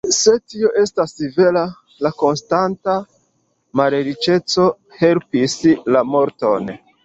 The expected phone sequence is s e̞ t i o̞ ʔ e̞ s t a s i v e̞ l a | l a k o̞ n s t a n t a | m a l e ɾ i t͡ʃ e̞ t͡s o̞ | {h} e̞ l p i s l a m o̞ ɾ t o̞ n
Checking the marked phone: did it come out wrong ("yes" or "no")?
no